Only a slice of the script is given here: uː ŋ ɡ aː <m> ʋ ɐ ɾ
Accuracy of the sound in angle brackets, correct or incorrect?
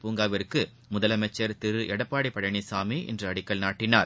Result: incorrect